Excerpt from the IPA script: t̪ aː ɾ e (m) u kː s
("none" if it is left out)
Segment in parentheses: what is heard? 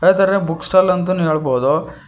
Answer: b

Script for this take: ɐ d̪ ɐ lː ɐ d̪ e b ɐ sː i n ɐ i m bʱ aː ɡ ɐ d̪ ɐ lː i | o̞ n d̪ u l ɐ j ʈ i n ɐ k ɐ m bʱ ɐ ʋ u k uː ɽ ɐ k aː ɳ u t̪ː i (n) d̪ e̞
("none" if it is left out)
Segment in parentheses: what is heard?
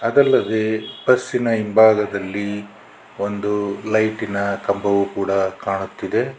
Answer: none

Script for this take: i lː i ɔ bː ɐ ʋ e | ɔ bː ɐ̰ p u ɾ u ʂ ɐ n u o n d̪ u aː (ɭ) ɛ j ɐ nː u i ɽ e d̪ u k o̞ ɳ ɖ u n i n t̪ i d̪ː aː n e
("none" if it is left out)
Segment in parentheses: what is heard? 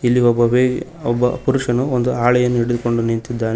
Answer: ɭ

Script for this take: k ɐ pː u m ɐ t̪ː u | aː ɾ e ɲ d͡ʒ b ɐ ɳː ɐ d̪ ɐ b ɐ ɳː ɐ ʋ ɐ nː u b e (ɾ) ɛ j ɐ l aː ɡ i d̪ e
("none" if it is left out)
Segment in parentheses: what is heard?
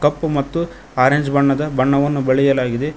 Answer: ɭ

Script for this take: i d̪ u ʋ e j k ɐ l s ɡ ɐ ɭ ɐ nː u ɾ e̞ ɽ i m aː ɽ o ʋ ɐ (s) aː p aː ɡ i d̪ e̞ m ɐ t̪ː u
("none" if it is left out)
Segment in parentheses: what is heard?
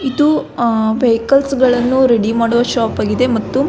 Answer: ʃ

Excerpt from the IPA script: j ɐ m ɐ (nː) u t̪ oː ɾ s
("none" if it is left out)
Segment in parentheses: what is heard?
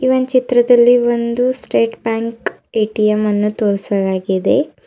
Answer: nː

